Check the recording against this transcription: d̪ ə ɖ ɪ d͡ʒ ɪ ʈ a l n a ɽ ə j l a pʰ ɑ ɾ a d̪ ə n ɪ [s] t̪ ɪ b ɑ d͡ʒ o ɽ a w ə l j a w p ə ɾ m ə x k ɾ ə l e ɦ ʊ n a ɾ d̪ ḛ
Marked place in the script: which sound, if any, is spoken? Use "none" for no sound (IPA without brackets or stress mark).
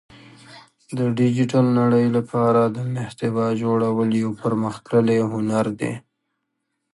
h